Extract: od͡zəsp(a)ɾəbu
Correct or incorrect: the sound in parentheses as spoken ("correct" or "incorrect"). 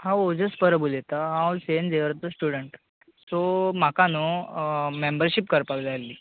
incorrect